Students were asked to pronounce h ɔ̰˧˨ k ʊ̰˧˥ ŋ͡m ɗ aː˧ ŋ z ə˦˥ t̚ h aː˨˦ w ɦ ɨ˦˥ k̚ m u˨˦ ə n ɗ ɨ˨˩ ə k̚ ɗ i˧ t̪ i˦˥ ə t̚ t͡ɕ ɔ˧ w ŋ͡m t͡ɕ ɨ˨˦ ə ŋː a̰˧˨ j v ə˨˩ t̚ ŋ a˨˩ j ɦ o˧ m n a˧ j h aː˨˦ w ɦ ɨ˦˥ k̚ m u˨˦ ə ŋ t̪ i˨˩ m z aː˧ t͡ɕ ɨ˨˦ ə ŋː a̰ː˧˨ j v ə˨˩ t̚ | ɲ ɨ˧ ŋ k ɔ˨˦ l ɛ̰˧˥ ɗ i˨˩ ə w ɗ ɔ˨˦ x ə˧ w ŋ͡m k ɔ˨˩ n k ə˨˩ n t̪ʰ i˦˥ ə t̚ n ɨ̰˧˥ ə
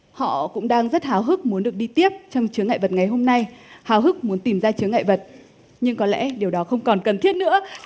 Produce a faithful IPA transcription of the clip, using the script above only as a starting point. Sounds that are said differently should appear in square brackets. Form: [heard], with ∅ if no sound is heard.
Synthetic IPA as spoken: h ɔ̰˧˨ k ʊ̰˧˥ ŋ͡m ɗ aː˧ ŋ z ə˦˥ t̚ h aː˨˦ w ɦ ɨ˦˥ k̚ m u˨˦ ə n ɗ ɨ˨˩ ə k̚ ɗ i˧ t̪ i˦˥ ə [p̚] t͡ɕ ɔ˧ w ŋ͡m t͡ɕ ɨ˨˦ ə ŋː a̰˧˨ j v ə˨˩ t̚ ŋ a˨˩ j ɦ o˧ m n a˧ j h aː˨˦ w ɦ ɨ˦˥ k̚ m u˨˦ ə [n] t̪ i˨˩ m z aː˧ t͡ɕ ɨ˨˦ ə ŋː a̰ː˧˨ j v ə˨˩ t̚ | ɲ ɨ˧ ŋ k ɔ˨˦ l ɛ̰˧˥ ɗ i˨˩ ə w ɗ ɔ˨˦ x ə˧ w ŋ͡m k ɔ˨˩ n k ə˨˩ n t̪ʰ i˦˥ ə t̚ n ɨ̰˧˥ ə